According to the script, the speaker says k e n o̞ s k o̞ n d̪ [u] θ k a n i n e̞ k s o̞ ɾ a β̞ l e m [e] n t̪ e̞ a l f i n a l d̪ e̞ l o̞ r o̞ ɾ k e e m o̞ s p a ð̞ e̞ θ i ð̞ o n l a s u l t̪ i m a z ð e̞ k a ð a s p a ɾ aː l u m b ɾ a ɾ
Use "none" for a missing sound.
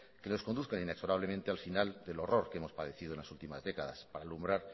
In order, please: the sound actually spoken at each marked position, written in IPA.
u, ẽ

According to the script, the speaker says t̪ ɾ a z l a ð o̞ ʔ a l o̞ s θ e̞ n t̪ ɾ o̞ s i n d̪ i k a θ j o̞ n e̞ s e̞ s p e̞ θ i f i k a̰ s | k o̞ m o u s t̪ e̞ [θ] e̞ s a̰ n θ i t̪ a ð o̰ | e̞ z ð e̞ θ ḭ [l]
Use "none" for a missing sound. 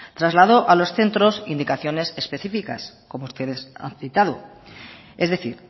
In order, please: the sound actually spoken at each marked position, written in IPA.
ð, ɾ

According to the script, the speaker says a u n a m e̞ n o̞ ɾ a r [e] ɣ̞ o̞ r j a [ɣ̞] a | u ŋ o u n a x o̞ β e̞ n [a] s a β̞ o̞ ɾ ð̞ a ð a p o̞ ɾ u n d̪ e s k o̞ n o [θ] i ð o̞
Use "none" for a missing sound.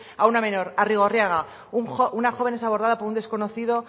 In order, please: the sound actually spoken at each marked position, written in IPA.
i, ɣ̞, e, θ

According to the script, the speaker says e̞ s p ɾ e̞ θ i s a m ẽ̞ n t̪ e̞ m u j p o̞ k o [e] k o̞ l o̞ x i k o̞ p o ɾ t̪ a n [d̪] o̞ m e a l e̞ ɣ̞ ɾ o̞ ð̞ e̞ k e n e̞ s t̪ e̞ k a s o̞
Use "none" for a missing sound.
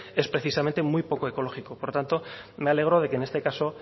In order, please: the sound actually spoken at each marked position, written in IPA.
e, t̪

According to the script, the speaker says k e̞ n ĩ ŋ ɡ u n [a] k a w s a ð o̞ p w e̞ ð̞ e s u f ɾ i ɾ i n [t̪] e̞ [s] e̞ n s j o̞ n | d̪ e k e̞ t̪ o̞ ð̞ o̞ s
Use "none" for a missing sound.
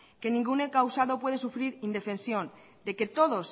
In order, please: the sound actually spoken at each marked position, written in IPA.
e, d̪, f

